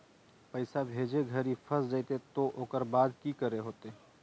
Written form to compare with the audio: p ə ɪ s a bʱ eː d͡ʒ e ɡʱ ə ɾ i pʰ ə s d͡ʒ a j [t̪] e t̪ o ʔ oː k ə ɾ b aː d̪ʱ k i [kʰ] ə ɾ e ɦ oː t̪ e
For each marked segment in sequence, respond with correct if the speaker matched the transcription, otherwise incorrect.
correct, incorrect

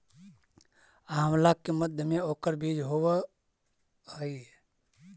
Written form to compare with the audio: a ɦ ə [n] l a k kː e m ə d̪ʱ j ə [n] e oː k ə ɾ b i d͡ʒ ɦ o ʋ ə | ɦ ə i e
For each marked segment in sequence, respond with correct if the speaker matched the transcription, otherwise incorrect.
incorrect, incorrect

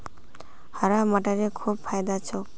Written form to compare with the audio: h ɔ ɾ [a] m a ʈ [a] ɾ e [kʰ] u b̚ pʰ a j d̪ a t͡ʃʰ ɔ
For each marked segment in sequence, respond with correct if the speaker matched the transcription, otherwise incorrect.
correct, correct, correct

